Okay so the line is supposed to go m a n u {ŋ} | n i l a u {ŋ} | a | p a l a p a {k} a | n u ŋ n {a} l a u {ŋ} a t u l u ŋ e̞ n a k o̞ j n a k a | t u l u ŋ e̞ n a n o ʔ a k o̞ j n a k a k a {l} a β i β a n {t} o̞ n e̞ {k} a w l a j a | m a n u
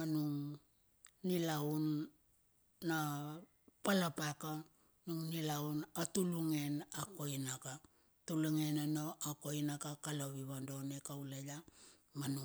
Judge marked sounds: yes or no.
yes, no, yes, no, no, yes, no, yes

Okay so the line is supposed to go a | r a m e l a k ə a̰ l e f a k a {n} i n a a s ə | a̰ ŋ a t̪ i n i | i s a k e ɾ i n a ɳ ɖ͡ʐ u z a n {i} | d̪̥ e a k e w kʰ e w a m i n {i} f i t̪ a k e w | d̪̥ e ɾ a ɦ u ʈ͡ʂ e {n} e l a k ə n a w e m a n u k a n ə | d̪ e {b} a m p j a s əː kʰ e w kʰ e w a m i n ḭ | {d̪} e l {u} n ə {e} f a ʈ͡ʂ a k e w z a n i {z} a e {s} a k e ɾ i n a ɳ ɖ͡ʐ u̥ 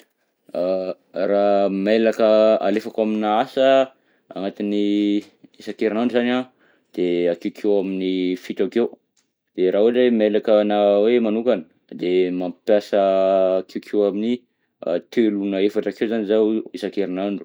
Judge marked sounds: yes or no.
no, no, yes, no, no, no, yes, yes, yes, yes

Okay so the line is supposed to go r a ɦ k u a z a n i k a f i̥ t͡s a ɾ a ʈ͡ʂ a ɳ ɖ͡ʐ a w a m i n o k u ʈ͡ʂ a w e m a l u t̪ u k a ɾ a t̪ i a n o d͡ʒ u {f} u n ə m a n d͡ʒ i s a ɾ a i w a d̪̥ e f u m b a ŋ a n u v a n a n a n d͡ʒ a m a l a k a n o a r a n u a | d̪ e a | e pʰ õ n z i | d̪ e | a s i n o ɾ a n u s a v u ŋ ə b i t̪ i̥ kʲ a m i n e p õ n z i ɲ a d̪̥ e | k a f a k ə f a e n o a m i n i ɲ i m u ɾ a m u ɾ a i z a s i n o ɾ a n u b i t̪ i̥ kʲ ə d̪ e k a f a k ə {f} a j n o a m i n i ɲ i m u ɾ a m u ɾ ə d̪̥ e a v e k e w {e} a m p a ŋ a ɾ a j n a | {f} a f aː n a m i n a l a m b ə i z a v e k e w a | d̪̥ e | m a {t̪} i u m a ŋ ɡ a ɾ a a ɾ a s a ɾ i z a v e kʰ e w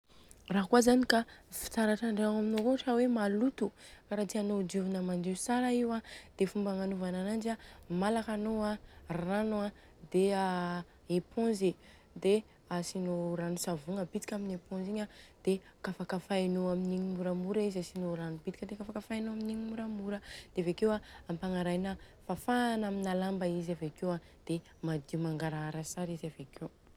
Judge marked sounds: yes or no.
no, yes, no, yes, no

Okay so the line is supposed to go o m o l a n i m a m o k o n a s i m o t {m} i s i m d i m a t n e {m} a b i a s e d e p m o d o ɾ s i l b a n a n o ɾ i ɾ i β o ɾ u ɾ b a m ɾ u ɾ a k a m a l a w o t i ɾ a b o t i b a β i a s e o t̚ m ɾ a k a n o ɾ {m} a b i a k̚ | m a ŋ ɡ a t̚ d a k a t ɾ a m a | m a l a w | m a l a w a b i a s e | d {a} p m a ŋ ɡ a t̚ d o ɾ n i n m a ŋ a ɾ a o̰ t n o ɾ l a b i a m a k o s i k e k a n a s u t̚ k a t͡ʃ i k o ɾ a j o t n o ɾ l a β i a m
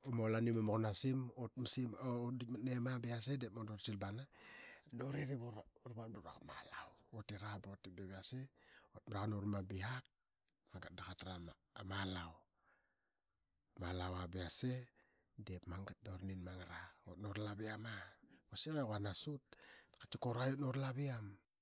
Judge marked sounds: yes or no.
yes, yes, yes, no

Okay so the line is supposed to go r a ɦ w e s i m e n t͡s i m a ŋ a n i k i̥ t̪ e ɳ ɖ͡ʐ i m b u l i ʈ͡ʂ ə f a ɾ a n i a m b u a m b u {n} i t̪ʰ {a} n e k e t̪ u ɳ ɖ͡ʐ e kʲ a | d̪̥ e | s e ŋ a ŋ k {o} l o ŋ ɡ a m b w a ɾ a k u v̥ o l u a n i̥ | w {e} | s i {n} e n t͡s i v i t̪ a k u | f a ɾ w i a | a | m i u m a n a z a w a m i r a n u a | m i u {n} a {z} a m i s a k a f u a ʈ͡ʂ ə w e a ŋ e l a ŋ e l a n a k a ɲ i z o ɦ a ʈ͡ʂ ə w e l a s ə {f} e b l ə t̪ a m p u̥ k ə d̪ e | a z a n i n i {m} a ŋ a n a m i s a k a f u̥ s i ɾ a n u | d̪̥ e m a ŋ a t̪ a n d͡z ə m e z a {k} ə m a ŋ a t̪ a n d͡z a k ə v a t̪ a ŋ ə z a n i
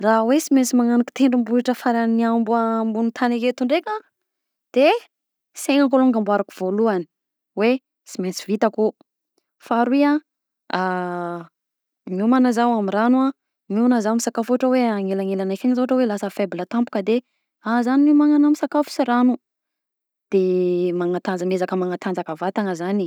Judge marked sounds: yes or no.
yes, yes, yes, yes, no, yes, yes, yes, yes, yes

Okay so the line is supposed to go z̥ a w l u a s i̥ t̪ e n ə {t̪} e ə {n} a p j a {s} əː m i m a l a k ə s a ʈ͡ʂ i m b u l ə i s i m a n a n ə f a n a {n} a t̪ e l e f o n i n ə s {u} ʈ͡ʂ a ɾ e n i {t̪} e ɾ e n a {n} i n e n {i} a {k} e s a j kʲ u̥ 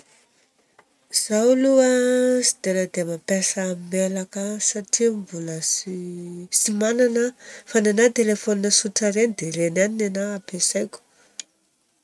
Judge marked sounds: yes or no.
no, no, yes, yes, yes, no, yes, no, no

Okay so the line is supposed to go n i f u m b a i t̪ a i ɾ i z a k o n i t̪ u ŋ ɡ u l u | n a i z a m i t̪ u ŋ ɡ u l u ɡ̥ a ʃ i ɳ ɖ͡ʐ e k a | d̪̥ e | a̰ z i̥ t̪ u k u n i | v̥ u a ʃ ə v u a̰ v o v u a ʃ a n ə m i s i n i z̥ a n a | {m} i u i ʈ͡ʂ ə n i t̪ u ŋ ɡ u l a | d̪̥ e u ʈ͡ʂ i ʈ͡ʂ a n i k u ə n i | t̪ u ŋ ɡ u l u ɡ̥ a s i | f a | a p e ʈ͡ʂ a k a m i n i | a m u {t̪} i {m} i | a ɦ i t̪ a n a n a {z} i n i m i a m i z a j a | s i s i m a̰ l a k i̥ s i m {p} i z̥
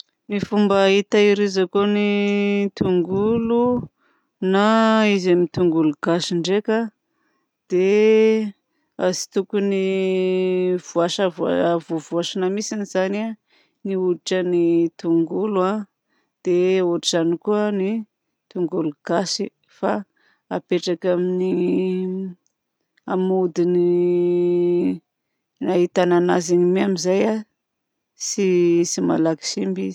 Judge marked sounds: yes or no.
no, no, no, yes, no

